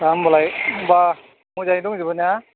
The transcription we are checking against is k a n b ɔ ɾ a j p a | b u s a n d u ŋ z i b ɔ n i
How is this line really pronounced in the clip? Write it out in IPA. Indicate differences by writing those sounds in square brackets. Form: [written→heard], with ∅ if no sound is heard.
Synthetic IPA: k a [n→m] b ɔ [ɾ→l] a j [p→b] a | [b→m] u [s→z] a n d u ŋ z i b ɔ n [i→a]

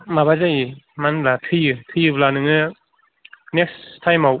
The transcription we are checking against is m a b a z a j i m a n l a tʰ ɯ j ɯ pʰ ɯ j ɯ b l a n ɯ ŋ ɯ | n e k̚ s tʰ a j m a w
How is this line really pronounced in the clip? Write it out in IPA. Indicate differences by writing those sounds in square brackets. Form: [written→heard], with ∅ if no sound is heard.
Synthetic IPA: m a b a z a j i m a n l a tʰ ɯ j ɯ [pʰ→tʰ] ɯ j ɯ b l a n ɯ ŋ ɯ | n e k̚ s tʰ a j m a w

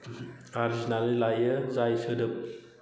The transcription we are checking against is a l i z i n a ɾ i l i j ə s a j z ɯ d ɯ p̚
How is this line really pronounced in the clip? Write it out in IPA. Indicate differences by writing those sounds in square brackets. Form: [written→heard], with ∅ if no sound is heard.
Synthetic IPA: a [l→ɾ] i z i n a [ɾ→l] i l [i→a] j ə [s→z] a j [z→s] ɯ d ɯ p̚

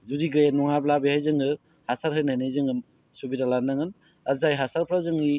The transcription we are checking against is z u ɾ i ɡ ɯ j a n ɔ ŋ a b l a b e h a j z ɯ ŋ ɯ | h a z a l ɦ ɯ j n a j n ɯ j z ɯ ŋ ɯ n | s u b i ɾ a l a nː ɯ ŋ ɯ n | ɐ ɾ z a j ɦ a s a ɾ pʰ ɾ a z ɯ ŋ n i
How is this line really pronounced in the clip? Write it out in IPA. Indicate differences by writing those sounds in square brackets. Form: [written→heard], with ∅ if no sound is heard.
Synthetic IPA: z u ɾ i ɡ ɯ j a n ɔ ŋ a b l a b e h a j z ɯ ŋ ɯ | h a [z→s] a [l→ɾ] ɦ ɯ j n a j n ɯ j z ɯ ŋ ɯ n | s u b i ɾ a l a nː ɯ ŋ ɯ n | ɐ ɾ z a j ɦ a s a ɾ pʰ ɾ a z ɯ ŋ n i

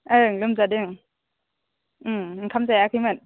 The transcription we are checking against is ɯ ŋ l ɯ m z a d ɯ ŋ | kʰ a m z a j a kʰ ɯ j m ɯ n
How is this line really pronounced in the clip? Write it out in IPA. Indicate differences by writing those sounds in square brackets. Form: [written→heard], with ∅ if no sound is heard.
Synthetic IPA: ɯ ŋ l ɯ m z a d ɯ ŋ | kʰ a m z a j a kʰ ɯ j m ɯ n

